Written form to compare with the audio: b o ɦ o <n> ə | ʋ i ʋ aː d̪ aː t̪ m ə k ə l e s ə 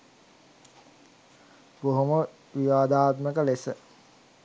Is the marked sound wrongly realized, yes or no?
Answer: yes